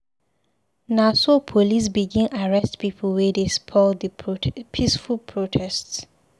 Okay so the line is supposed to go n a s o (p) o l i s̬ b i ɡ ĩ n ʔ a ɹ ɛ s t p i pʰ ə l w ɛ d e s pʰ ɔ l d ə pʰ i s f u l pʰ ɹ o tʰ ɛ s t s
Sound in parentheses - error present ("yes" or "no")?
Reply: yes